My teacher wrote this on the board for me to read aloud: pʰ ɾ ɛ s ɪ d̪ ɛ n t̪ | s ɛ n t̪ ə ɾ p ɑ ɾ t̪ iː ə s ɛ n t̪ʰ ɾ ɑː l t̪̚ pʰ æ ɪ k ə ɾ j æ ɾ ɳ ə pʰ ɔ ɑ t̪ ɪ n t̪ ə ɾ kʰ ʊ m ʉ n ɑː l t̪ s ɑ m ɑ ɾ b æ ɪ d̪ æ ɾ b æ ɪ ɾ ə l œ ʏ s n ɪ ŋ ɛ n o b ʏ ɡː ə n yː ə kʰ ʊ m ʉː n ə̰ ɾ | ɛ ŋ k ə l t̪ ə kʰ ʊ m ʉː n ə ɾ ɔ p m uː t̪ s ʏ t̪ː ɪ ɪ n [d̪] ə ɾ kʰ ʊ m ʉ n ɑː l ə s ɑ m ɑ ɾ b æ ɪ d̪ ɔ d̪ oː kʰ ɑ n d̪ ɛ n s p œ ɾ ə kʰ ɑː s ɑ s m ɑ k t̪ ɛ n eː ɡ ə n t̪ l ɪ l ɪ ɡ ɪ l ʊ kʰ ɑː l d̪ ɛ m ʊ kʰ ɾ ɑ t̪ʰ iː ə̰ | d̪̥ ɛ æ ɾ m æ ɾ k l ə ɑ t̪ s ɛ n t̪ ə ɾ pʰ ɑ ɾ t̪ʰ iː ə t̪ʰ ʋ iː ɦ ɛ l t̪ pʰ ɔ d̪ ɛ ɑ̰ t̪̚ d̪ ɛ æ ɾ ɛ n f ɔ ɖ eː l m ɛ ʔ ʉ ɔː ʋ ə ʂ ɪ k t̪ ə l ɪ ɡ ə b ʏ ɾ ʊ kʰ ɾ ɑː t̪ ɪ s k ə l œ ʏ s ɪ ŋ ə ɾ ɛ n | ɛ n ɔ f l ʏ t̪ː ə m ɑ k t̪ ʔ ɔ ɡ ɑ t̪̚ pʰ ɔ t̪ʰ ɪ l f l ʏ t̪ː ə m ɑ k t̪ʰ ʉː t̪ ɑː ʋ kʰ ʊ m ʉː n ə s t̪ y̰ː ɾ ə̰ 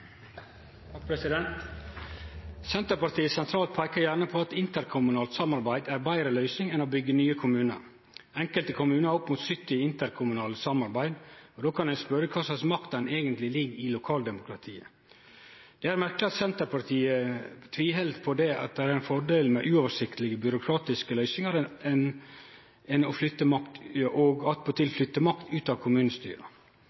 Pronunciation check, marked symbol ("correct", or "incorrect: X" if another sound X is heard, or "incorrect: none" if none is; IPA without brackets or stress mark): incorrect: t̪